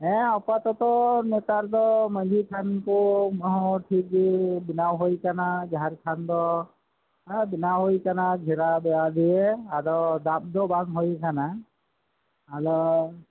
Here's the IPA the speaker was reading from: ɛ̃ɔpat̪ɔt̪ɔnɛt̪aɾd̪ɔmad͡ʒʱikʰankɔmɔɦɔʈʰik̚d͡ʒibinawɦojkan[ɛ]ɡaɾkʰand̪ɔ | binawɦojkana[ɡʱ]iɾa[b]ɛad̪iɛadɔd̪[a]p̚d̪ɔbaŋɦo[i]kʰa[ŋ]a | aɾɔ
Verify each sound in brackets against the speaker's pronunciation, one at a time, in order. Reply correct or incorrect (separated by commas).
incorrect, correct, correct, correct, incorrect, incorrect